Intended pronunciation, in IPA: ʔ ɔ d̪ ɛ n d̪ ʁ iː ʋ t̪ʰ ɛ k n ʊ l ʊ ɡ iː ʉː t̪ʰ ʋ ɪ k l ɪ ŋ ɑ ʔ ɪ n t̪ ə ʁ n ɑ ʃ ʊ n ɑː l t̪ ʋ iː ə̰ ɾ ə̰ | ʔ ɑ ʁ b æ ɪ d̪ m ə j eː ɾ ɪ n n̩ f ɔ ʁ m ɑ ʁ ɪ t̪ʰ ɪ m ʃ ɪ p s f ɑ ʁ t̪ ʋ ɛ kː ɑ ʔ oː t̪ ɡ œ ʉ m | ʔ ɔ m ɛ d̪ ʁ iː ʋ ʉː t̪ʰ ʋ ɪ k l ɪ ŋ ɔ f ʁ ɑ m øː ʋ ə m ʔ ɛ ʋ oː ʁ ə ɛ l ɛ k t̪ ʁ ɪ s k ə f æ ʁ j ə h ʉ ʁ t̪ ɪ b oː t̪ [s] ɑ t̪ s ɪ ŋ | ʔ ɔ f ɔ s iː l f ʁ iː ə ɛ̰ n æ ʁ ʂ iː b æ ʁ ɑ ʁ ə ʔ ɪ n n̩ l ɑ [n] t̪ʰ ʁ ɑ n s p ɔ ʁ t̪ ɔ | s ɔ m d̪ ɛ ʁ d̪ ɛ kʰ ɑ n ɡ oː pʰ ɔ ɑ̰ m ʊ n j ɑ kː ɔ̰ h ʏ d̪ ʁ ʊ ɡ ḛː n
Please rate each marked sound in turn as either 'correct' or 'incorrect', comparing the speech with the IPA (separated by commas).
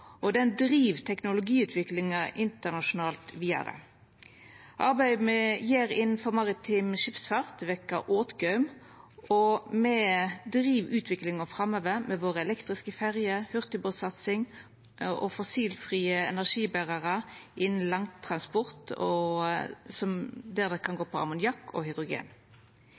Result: correct, incorrect